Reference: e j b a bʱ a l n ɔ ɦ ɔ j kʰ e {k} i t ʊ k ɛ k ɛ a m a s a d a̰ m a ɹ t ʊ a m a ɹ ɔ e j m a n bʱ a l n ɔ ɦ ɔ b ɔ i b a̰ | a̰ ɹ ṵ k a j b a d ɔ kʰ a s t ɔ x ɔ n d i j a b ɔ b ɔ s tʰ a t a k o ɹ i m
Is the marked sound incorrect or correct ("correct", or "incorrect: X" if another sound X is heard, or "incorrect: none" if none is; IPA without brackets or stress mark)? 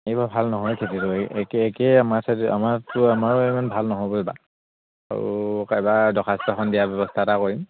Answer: incorrect: t